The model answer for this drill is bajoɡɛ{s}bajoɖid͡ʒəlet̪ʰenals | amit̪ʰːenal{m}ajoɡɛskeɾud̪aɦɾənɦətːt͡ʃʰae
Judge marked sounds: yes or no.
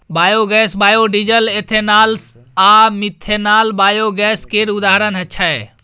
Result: yes, no

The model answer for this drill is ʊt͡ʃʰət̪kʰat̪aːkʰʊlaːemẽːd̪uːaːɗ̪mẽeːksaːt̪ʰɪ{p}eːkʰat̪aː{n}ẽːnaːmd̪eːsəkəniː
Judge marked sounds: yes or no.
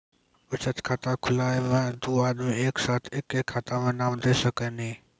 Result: no, no

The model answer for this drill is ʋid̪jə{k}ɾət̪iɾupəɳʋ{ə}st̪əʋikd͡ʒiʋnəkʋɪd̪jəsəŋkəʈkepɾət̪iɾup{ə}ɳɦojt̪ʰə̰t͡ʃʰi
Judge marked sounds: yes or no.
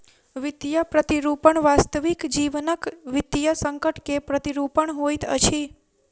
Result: no, no, yes

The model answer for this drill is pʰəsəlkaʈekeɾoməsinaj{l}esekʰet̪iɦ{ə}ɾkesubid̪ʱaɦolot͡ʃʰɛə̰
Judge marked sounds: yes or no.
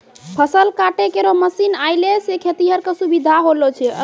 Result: yes, yes

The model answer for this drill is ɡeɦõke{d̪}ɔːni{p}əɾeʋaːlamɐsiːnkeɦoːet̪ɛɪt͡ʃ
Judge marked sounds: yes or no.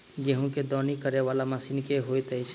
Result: yes, no

